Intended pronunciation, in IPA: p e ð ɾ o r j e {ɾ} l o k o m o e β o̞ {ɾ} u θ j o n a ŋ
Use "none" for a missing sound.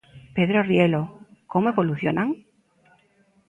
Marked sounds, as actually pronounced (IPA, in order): none, l

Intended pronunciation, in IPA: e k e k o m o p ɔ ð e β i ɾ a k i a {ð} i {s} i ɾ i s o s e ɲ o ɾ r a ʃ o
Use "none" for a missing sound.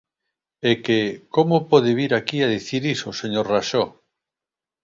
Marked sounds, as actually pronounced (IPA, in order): ð, θ

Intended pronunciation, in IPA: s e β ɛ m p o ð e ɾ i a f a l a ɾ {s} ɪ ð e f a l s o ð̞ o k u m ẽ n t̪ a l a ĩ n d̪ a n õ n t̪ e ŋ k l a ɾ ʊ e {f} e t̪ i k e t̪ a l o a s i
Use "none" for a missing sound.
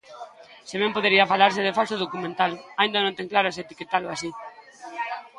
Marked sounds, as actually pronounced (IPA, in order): s, s

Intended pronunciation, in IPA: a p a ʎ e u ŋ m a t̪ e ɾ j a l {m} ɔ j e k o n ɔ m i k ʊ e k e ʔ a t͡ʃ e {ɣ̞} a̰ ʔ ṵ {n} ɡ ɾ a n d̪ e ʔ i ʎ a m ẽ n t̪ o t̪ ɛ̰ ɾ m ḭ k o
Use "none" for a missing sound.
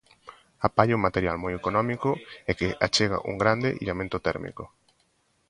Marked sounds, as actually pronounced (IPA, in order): m, ɣ̞, ŋ

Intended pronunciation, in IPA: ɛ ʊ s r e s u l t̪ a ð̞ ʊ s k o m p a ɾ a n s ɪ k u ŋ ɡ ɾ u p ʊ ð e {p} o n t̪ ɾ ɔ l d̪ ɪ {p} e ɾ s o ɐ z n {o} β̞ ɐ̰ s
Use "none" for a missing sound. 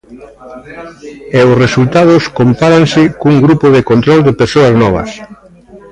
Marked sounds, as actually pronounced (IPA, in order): k, p, ɔ

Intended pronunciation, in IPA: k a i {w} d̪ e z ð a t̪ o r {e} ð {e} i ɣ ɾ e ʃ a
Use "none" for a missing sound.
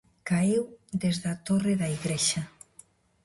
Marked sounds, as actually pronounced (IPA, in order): w, e, a

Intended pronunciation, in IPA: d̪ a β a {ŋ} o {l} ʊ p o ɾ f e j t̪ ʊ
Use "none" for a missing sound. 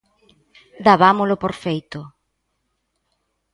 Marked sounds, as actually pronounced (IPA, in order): m, l

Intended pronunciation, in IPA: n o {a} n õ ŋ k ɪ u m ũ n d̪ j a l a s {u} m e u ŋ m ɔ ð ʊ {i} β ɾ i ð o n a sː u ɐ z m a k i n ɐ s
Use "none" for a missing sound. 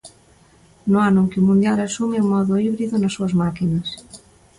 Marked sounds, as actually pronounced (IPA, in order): a, u, i

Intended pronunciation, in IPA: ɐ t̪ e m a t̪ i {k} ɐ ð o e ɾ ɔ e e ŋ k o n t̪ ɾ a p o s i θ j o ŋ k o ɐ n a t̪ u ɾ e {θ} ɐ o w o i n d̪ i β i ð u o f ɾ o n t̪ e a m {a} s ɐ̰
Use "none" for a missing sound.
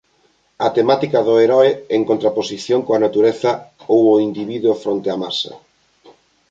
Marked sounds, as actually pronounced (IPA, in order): k, θ, a

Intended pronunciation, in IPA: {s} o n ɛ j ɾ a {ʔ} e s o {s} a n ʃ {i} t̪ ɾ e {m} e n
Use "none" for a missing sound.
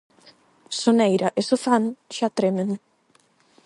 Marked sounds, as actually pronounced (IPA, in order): s, ʔ, f, a, m

